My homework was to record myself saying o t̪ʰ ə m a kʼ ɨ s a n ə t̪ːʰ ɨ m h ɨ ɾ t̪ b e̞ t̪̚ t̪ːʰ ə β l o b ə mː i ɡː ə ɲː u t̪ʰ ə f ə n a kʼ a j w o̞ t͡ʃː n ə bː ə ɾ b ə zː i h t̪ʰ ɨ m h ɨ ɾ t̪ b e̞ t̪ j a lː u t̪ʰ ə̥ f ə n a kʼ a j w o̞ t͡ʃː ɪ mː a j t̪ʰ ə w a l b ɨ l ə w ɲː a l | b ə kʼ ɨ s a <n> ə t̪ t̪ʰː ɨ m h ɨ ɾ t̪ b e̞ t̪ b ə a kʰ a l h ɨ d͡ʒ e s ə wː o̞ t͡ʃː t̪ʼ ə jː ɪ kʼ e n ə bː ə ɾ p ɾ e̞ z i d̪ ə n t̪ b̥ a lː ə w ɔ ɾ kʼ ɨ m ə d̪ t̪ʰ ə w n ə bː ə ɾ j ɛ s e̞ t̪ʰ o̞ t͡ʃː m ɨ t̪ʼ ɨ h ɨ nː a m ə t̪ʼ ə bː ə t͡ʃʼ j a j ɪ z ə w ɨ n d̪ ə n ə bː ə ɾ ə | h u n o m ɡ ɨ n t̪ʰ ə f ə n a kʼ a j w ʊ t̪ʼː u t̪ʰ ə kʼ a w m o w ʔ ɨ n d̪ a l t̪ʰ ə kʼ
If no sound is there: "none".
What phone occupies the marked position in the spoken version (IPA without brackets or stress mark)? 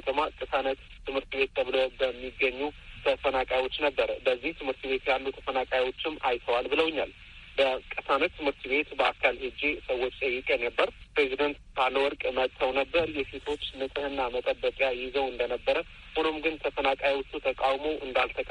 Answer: n